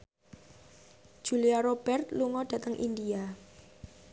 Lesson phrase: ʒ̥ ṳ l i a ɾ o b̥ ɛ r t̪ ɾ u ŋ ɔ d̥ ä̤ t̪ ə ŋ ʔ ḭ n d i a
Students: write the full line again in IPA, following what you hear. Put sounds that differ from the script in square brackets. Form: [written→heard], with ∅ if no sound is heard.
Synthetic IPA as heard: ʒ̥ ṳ l i a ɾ o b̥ ɛ r t̪ [ɾ→l] u ŋ ɔ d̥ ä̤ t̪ ə ŋ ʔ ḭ n d i a